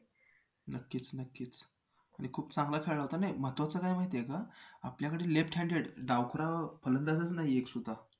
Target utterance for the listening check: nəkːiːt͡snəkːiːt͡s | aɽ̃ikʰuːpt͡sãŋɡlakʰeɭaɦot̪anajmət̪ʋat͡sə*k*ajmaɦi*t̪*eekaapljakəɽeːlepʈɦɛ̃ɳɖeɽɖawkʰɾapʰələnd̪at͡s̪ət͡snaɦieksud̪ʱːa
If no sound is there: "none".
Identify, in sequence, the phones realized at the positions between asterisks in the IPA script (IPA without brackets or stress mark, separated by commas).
k, t̪